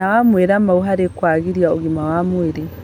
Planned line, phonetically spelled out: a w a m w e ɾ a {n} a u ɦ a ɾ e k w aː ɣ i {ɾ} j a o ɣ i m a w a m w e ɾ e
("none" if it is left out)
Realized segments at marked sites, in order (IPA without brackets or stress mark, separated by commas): m, ɾ